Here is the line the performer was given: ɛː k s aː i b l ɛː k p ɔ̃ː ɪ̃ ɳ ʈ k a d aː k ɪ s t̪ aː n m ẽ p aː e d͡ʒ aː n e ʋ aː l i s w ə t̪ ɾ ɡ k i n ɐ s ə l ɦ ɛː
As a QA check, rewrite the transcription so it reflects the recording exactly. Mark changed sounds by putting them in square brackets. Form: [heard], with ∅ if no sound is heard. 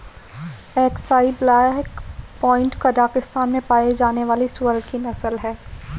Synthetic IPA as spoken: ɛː k s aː i b l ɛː k p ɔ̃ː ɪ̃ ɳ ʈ k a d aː k ɪ s t̪ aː n m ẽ p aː e d͡ʒ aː n e ʋ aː l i s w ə [∅] ɾ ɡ k i n ɐ s ə l ɦ ɛː